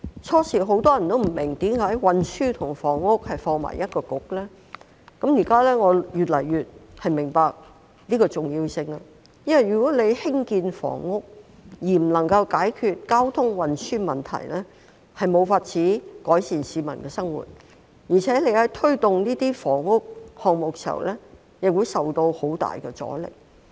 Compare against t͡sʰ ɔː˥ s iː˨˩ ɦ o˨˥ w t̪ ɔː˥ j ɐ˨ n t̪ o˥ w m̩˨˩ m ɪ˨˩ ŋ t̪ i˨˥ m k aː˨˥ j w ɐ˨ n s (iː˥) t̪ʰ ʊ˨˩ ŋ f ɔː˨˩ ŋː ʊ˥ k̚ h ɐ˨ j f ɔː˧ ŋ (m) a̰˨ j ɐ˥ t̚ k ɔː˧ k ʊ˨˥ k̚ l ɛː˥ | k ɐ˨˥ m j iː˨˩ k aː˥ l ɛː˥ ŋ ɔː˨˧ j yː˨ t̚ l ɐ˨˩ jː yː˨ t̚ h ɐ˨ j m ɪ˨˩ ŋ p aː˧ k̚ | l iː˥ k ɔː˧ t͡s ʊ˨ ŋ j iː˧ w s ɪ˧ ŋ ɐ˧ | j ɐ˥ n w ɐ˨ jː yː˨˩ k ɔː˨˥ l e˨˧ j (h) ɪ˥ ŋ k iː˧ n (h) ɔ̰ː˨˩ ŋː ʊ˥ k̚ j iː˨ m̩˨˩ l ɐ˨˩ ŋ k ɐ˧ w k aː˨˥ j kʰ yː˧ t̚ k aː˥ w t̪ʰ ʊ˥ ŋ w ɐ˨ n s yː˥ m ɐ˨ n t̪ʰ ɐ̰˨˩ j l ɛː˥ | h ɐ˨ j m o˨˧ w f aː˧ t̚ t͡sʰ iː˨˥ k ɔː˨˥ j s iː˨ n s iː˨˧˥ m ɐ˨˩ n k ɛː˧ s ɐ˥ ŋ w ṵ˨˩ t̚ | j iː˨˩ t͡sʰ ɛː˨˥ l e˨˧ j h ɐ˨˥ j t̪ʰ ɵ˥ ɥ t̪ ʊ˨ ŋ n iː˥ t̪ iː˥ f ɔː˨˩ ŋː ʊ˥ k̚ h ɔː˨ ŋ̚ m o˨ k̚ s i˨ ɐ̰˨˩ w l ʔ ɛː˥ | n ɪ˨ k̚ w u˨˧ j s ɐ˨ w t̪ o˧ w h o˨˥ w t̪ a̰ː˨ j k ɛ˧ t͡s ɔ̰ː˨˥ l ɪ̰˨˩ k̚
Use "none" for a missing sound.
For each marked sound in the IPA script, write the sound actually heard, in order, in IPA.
yː˥, m, h, f

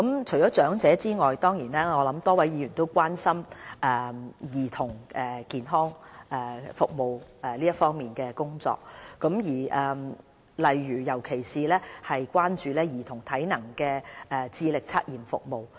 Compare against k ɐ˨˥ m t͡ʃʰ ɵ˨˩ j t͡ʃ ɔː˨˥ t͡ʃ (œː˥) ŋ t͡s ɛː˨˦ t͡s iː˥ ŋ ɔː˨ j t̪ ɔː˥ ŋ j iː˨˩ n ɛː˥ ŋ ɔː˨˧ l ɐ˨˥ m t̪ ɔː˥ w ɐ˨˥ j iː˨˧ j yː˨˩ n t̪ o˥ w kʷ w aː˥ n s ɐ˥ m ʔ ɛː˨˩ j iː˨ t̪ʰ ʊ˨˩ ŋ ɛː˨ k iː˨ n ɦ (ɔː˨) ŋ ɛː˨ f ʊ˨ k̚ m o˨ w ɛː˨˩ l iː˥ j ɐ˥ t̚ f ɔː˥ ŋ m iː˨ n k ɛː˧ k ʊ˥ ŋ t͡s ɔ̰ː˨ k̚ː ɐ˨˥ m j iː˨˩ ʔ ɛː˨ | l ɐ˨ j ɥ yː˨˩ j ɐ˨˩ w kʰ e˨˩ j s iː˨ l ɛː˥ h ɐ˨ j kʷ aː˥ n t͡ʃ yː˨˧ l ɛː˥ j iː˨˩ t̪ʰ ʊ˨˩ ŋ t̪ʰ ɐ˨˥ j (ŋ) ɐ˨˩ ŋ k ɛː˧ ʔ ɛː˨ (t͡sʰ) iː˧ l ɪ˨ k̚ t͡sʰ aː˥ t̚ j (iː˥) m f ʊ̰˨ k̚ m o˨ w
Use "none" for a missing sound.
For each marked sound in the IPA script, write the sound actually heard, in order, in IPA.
œː˨˥, ɔː˥, n, t͡s, iː˨

